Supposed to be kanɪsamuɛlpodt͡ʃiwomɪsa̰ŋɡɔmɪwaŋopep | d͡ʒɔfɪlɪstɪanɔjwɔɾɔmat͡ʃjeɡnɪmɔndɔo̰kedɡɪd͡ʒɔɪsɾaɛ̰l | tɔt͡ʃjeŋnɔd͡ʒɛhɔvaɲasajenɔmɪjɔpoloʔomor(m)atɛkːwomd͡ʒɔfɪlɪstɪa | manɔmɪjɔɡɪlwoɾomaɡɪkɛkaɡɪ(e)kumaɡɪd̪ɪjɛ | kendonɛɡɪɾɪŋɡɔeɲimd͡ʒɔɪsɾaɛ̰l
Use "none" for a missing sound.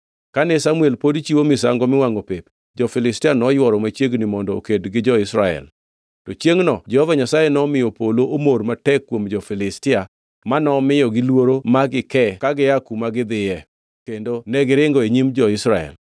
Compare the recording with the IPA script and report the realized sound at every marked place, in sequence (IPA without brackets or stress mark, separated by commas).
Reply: m, a